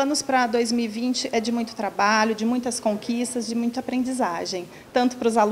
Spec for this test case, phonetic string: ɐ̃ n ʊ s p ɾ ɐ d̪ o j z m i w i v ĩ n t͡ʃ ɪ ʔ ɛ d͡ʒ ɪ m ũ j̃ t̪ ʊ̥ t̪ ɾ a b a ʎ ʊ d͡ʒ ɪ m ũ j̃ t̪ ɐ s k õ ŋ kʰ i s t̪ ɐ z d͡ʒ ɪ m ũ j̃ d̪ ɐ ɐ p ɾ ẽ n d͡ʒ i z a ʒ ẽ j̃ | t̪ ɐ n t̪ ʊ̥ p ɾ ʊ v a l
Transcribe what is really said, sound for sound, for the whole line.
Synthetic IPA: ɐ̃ n ʊ s p ɾ ɐ d̪ o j z m i w i v ĩ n t͡ʃ ɪ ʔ ɛ d͡ʒ ɪ m ũ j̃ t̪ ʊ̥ t̪ ɾ a b a ʎ ʊ d͡ʒ ɪ m ũ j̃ t̪ ɐ s k õ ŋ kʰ i s t̪ ɐ z d͡ʒ ɪ m ũ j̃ t̪ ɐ a p ɾ ẽ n d͡ʒ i z a ʒ ẽ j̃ | t̪ ɐ̃ n t̪ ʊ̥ p ɾ ʊ z a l